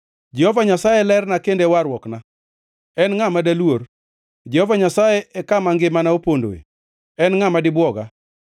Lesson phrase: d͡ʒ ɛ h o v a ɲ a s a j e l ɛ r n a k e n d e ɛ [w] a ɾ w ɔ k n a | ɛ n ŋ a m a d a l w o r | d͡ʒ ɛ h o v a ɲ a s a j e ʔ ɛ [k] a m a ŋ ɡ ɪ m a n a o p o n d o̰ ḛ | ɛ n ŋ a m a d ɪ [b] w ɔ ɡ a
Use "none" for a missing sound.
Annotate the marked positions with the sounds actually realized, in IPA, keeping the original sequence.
w, k, b

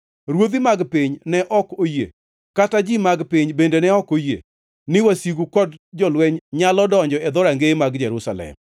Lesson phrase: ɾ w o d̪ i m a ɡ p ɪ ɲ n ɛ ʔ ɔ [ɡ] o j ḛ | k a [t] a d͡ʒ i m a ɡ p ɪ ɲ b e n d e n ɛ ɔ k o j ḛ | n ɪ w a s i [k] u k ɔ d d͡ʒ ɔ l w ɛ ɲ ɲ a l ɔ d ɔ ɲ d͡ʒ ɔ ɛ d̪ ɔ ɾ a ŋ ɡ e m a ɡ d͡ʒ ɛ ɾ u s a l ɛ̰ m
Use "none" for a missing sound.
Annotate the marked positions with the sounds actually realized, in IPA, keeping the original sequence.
k, t, ɡ

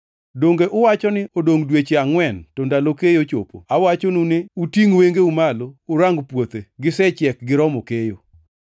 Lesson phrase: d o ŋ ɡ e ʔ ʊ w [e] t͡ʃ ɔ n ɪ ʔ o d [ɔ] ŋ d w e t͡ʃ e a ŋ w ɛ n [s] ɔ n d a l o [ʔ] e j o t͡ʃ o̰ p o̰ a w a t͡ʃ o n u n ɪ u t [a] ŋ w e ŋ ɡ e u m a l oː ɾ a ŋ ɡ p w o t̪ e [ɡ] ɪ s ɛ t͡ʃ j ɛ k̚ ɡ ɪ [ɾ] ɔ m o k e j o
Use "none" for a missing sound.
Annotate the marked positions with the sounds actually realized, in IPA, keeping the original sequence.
a, o, t, k, i, ɡ, ɾ

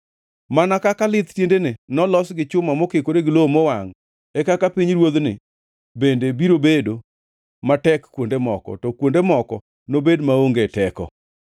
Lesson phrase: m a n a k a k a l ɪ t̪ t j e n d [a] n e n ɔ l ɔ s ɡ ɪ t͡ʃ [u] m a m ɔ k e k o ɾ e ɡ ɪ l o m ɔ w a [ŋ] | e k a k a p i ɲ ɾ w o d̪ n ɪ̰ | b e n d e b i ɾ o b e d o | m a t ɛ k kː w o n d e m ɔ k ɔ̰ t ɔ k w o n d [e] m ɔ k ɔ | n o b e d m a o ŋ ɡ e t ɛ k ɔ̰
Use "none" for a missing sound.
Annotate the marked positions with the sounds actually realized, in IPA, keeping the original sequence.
e, ʊ, ŋ, e

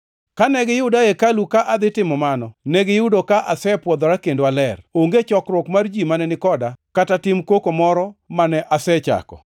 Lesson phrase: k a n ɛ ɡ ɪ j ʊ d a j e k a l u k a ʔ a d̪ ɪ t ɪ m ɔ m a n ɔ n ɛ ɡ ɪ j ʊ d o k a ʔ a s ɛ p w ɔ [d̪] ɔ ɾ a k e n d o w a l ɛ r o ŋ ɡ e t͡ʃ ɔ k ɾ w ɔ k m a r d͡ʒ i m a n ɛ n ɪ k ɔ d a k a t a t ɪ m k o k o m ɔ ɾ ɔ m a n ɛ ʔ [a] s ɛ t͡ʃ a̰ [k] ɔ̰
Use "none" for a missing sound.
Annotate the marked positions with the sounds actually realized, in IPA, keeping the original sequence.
d̪, a, k

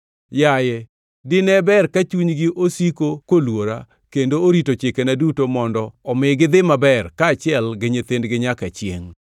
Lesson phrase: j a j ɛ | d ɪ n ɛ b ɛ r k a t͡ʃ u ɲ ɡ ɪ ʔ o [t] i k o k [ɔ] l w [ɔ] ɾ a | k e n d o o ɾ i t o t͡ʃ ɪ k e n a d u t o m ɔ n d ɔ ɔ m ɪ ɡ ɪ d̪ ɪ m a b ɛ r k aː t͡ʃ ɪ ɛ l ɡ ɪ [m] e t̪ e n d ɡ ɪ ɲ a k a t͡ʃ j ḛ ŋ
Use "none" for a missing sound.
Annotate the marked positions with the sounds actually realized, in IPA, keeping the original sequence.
s, o, o, ɲ

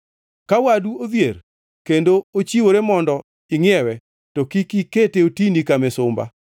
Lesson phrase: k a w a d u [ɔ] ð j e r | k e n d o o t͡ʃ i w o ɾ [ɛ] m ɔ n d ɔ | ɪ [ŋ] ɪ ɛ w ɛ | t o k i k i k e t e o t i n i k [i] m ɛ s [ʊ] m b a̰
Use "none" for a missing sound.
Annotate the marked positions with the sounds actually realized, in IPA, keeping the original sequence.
o, e, ŋ, a, ʊ

